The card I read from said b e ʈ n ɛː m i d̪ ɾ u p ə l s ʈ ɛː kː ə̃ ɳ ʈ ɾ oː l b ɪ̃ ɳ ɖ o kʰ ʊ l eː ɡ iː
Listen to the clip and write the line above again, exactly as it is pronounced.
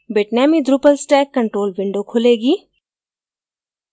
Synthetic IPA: b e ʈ n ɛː m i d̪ ɾ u p ə l s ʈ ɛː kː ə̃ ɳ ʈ ɾ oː l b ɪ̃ ɳ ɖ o kʰ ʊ l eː ɡ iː